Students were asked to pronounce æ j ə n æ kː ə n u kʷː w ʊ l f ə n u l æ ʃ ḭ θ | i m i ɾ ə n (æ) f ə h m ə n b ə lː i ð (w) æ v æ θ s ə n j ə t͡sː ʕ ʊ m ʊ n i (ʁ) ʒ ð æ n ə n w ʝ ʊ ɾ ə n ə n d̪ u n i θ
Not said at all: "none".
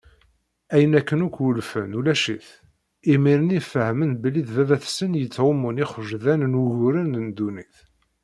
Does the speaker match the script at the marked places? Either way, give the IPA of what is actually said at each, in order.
i, v, χ

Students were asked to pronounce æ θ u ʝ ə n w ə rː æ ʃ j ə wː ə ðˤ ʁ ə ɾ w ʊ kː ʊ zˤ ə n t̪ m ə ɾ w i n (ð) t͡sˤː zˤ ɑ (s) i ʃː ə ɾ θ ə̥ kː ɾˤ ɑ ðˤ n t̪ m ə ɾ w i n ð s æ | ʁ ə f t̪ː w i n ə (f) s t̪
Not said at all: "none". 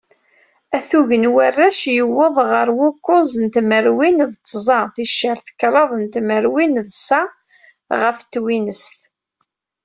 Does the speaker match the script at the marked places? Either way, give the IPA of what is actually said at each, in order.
ð, θ, none

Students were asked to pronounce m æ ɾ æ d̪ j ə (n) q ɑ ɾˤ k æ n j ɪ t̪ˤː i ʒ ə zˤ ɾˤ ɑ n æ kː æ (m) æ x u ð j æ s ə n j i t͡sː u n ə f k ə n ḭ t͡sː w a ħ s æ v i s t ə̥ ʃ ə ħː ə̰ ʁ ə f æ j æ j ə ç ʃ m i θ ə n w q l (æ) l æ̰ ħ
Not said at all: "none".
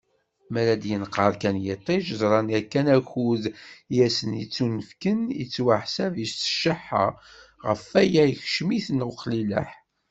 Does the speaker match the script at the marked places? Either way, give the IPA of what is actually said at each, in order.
n, n, i

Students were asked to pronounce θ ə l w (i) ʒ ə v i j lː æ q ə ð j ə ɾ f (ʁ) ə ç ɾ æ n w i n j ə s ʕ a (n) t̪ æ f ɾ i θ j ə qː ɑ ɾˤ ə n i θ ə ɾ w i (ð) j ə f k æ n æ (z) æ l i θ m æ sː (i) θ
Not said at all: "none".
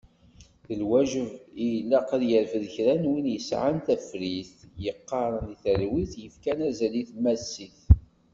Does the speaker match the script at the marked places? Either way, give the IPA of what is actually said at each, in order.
æ, ð, n, θ, z, i

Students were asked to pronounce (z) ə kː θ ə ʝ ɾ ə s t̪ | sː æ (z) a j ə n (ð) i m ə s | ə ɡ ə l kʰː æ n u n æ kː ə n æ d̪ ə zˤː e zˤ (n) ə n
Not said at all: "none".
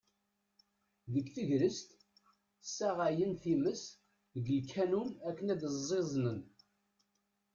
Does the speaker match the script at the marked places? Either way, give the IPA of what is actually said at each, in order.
ð, ʁ, θ, n

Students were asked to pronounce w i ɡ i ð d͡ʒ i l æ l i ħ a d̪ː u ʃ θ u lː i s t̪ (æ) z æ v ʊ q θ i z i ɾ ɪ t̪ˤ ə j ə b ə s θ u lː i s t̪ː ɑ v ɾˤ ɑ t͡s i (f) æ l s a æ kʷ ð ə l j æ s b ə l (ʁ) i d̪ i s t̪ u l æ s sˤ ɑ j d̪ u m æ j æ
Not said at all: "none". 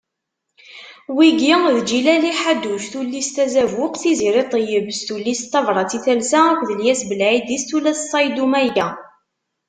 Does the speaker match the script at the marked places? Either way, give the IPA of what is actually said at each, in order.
æ, θ, ʕ

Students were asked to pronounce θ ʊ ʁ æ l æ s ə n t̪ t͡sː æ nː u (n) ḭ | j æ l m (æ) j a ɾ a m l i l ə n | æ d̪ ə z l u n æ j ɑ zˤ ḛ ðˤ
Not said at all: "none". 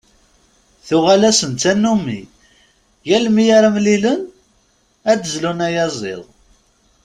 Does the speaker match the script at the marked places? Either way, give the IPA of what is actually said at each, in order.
m, i

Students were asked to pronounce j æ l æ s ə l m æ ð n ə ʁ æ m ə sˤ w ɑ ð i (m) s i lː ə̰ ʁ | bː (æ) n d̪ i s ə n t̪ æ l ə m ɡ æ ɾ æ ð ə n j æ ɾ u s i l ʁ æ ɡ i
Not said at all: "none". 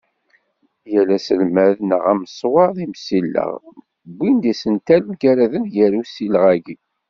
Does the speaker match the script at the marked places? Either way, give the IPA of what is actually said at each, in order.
m, i

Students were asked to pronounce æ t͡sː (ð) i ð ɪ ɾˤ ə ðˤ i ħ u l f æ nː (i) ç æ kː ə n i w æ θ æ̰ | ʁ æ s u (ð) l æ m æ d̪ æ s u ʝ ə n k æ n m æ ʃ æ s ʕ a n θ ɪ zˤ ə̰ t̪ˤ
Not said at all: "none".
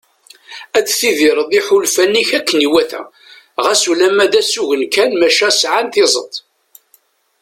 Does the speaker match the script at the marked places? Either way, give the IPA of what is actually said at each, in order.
θ, i, none

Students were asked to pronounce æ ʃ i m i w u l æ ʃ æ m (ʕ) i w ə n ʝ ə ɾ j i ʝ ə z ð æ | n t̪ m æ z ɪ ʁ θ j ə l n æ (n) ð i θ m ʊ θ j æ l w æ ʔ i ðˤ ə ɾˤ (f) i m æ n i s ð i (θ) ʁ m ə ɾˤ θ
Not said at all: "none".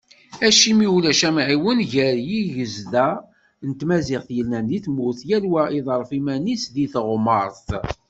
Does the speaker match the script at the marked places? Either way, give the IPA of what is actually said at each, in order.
ʕ, n, f, θ

